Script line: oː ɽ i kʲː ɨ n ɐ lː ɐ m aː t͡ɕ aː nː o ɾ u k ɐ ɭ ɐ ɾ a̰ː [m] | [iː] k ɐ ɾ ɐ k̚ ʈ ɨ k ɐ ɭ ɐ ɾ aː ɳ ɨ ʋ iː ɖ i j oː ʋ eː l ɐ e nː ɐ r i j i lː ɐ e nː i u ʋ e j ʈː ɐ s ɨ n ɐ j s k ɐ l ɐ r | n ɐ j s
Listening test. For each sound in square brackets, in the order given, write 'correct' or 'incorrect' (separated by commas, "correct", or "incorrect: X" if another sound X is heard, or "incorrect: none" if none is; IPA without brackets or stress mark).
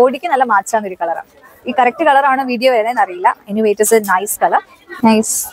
incorrect: ɳ, correct